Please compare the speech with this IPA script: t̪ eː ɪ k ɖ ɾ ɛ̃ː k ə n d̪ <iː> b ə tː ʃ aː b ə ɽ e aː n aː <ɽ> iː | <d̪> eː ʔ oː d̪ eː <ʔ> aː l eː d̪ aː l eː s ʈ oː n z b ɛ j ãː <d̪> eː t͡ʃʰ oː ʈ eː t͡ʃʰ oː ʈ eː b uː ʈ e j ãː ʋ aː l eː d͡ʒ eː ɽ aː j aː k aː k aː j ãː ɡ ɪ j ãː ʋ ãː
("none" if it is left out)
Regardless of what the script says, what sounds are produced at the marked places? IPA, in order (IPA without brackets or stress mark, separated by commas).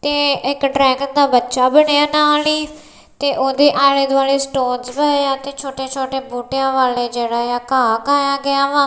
aː, l, t̪, ʔ, t̪